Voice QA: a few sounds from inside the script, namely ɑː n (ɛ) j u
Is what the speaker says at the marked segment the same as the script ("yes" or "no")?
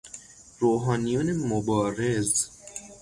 no